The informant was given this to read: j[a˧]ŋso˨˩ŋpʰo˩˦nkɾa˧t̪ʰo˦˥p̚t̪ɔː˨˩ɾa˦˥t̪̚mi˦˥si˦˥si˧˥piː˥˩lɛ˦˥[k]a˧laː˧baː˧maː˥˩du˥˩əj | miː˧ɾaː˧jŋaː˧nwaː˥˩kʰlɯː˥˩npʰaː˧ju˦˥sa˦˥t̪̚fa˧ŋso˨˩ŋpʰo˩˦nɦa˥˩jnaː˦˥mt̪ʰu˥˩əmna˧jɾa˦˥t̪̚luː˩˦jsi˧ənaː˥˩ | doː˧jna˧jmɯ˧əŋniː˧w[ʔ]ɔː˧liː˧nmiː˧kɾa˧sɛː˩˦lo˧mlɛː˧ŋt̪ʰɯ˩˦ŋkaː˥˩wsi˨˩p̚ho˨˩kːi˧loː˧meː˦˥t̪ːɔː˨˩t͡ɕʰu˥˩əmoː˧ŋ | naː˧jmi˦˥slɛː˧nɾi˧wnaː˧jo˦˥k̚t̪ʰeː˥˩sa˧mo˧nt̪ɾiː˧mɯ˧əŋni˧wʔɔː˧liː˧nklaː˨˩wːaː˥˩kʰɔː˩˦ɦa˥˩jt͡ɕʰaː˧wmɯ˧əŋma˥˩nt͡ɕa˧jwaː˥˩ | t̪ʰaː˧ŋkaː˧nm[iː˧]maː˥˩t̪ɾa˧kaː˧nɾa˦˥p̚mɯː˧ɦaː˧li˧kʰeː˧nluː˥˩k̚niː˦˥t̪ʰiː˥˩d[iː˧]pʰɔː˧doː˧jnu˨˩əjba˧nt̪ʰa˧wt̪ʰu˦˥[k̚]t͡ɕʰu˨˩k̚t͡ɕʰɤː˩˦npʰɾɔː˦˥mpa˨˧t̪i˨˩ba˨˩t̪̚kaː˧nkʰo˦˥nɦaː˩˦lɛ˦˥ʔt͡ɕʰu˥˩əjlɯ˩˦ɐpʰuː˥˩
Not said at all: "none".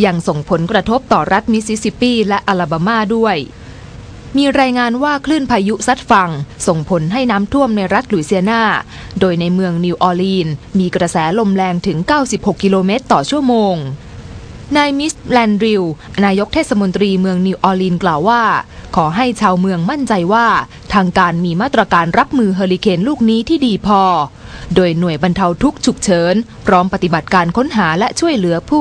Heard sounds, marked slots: a˧, ʔ, ʔ, iː˧, iː˧, k̚

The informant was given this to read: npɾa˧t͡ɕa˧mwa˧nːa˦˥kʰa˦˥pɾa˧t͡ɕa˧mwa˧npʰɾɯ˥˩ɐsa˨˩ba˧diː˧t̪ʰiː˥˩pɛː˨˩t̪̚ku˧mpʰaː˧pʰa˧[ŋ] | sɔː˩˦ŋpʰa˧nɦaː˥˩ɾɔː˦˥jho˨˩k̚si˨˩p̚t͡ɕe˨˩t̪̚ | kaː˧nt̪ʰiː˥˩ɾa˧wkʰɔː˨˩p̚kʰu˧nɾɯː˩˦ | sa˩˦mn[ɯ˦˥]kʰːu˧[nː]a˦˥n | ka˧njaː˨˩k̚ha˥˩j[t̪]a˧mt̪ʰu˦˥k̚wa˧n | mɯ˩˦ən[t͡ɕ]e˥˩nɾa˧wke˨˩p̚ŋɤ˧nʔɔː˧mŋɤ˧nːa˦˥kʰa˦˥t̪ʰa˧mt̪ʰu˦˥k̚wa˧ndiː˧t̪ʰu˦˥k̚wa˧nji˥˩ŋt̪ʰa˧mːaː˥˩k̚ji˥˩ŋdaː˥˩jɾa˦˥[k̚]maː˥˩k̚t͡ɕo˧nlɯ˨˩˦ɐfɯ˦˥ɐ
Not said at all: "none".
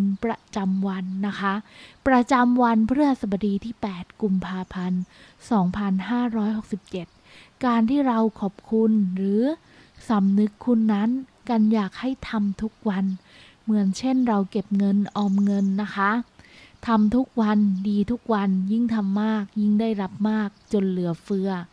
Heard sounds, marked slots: n, ɯ˦˥, nː, t̪ʰ, t͡ɕʰ, p̚

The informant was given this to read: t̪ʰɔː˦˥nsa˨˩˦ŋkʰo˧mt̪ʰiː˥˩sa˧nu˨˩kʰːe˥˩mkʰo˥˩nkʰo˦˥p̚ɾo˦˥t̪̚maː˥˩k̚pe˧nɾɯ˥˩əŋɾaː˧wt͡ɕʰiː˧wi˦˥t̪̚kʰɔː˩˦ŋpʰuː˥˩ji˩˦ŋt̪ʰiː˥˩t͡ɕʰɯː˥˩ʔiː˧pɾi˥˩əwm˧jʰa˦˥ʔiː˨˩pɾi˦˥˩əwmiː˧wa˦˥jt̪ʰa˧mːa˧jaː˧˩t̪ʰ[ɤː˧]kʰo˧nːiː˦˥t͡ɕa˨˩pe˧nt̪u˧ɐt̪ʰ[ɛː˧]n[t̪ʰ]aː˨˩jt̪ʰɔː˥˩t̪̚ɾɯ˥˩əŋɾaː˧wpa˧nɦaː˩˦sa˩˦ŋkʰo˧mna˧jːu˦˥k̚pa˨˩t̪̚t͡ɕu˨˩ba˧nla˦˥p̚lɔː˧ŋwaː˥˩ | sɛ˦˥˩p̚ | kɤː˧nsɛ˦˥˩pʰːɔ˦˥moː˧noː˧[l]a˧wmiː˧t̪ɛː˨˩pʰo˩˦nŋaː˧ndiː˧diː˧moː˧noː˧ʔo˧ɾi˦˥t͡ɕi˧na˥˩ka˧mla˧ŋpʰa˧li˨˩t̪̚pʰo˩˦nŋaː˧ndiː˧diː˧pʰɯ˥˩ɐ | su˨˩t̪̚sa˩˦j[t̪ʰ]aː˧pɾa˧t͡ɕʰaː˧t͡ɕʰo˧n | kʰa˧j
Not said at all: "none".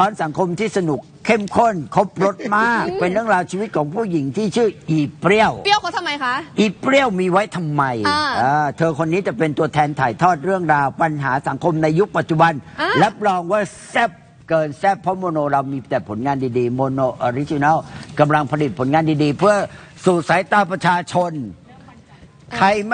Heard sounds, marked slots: ɤː˧, ɛː˧, t̪ʰ, ɾ, t̪

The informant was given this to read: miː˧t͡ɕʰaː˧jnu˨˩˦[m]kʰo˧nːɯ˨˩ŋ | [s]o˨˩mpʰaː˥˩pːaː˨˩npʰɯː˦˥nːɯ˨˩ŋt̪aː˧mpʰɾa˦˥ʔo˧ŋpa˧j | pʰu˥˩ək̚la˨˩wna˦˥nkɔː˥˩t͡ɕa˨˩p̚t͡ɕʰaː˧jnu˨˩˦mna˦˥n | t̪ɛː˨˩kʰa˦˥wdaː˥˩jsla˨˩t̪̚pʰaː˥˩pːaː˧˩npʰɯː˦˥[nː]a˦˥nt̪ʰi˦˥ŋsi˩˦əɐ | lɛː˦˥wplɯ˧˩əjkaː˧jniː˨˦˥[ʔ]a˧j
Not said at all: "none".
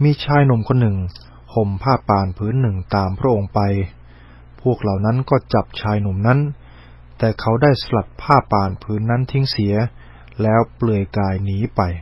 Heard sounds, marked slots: m, h, nː, p

